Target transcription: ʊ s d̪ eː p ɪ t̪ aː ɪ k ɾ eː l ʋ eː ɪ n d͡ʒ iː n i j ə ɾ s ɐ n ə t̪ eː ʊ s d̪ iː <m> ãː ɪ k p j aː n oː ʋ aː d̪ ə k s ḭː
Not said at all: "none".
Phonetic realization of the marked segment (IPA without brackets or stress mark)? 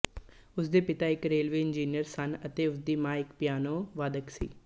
m